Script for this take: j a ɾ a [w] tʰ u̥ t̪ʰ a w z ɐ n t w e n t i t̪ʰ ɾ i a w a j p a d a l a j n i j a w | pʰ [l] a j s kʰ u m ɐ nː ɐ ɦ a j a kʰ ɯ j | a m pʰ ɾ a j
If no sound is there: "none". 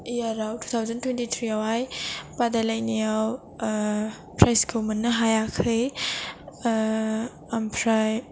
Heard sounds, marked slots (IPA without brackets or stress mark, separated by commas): w, ɾ